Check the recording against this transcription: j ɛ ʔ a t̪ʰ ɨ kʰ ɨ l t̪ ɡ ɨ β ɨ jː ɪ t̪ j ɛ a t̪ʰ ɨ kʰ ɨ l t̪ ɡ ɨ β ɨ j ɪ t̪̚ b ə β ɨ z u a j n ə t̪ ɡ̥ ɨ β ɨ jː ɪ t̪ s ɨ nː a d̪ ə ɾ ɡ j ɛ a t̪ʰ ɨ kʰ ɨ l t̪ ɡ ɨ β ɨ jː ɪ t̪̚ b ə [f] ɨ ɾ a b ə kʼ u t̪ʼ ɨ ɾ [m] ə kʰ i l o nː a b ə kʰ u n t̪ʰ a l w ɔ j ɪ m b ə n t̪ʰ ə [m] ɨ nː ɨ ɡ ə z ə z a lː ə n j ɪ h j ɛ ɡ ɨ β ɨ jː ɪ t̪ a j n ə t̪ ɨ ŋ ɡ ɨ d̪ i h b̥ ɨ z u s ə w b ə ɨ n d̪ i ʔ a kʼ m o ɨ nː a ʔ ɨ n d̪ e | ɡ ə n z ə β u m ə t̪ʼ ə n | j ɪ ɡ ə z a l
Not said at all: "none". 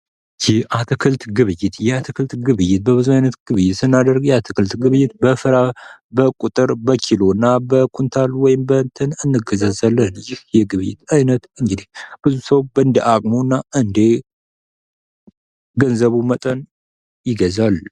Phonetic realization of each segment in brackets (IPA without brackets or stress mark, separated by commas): f, b, n